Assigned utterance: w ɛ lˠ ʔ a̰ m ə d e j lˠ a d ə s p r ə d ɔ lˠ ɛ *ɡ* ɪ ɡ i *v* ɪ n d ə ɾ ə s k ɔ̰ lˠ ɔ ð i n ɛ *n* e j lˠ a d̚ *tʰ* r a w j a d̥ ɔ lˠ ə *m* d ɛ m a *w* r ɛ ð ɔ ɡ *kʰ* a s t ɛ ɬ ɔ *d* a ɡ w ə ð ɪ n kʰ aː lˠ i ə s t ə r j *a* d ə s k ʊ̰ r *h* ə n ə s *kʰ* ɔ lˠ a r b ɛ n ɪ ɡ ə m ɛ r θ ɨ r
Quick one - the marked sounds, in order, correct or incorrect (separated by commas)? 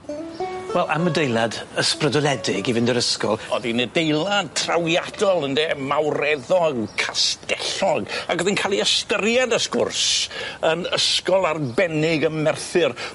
incorrect, correct, incorrect, correct, incorrect, correct, correct, incorrect, correct, incorrect, incorrect